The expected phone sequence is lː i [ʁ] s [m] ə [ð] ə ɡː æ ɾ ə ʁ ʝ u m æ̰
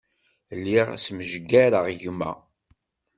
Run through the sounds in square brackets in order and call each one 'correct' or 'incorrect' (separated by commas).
correct, correct, incorrect